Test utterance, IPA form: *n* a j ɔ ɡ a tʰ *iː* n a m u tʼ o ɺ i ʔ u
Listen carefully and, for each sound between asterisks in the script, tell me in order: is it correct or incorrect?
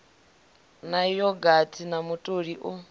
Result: correct, incorrect

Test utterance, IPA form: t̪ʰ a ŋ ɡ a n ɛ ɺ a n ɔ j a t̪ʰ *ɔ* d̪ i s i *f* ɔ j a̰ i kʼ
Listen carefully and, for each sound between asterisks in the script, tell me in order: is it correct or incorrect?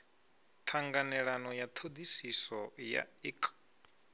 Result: incorrect, incorrect

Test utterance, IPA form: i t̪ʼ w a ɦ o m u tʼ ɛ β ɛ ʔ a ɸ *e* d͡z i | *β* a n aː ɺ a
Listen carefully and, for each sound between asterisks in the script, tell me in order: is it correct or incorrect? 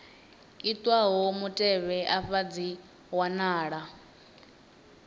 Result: incorrect, incorrect

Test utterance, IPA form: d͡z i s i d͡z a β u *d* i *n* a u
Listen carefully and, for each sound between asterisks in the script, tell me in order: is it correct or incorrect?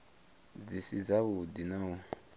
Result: correct, correct

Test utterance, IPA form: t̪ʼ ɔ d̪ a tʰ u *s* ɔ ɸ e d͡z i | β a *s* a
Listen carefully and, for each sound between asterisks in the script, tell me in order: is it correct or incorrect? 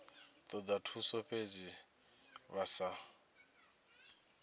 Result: correct, correct

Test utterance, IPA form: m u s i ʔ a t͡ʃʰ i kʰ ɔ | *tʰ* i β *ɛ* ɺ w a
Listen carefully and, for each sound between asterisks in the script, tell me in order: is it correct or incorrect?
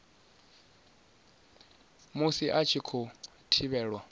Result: correct, incorrect

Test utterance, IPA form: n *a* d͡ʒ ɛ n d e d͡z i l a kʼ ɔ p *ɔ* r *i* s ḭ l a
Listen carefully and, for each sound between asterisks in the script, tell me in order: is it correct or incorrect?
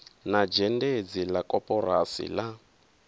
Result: correct, correct, incorrect

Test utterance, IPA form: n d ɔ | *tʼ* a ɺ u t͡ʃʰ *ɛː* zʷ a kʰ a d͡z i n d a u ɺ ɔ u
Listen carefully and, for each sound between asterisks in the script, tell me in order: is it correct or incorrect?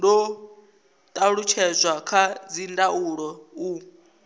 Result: correct, incorrect

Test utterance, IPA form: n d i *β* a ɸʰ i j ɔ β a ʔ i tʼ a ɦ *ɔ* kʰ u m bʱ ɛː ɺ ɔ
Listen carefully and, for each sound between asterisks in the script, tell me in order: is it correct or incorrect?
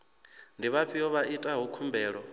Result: correct, incorrect

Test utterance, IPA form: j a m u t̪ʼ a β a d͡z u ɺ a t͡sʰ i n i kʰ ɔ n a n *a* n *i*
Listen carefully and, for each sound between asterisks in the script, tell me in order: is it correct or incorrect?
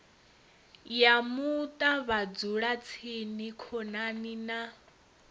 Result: incorrect, incorrect

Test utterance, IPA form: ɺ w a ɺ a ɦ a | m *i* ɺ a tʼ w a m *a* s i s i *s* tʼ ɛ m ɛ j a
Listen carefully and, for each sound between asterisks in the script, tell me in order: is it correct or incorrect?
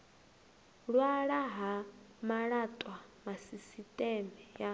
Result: incorrect, correct, incorrect

